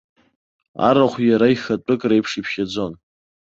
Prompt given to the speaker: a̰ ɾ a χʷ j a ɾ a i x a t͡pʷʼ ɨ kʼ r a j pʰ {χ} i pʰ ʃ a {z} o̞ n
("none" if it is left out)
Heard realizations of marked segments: ʂ, d͡z

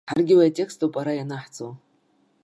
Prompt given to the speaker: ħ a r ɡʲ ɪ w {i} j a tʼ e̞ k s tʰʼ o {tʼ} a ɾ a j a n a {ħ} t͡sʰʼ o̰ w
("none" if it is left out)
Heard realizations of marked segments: a, pʼ, ħ

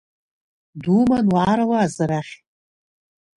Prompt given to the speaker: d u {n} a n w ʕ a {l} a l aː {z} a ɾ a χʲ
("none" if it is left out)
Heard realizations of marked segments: m, ɾ, z

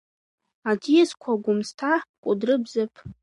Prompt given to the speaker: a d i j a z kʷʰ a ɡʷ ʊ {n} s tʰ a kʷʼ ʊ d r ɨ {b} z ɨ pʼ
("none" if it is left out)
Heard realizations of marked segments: m, b

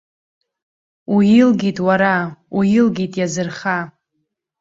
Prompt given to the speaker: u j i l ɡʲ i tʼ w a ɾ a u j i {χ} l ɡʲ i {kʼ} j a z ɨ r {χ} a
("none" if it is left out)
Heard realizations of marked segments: none, tʼ, χ

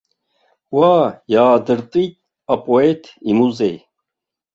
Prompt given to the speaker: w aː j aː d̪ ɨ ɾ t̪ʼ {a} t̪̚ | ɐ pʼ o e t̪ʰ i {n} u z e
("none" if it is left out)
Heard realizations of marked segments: i, m

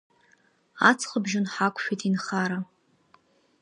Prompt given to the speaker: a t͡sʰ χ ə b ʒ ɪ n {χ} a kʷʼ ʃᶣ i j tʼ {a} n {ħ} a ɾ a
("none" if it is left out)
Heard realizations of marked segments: ħ, i, χ

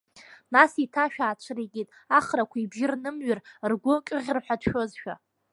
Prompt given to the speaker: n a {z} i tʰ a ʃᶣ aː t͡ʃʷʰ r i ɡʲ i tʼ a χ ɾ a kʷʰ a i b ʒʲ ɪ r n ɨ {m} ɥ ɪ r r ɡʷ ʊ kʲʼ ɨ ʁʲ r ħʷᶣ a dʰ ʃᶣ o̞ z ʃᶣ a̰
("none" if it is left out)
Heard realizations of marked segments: s, m

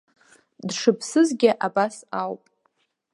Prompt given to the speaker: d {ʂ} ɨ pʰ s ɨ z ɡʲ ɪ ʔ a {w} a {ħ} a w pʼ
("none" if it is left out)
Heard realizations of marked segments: ʂ, b, s

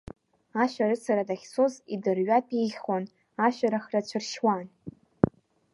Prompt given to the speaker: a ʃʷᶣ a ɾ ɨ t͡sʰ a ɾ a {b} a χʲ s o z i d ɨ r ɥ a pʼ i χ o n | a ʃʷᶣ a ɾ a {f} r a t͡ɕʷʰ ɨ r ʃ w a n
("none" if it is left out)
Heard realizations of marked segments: d, χ

